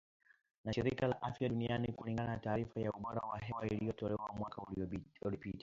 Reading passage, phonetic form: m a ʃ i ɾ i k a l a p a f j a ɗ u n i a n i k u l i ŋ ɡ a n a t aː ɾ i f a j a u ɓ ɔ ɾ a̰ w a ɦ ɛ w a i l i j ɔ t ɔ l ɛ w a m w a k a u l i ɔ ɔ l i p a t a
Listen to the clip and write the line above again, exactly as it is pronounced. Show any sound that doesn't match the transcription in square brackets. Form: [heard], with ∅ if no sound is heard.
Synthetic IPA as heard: [n] a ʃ i ɾ i k a l a [ʔ] a f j a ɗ u n i a n i k u l i ŋ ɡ a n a t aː ɾ i f a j a u ɓ ɔ ɾ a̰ w a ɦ ɛ w a i l i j ɔ t ɔ l ɛ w a m w a k a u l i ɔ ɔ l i p [i] t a